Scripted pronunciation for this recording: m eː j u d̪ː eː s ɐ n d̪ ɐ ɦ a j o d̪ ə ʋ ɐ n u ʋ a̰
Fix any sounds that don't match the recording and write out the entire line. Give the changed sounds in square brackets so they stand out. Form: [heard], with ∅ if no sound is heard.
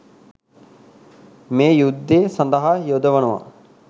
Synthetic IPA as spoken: m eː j u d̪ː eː s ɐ n d̪ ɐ ɦ a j o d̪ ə ʋ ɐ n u ʋ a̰